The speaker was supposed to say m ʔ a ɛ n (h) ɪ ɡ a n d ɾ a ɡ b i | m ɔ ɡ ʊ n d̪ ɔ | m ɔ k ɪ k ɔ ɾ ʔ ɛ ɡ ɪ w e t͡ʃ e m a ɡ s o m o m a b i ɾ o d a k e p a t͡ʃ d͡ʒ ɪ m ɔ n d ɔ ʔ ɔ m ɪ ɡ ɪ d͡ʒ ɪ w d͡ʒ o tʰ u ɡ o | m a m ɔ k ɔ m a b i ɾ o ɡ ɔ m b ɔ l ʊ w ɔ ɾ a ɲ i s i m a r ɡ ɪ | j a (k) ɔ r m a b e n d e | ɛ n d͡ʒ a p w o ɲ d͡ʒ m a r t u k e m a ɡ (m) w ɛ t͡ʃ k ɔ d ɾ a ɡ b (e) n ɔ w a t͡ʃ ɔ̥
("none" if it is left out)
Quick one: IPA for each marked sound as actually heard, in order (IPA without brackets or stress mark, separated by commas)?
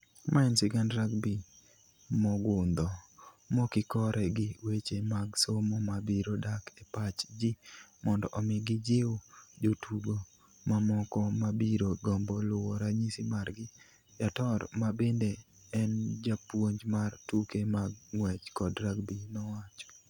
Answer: s, t, ŋ, i